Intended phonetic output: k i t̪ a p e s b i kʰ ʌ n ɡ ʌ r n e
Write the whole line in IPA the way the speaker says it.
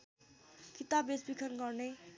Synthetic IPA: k i t̪ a b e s b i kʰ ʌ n ɡ ʌ r n e